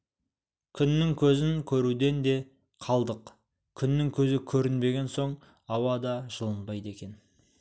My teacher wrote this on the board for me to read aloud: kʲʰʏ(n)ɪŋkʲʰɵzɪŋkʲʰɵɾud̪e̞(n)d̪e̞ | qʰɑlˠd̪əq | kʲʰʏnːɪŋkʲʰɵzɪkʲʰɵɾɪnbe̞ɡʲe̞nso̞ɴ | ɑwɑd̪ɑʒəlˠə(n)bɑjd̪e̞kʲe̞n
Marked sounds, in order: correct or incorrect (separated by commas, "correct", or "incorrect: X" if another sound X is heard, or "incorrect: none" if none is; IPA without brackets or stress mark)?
incorrect: nː, correct, correct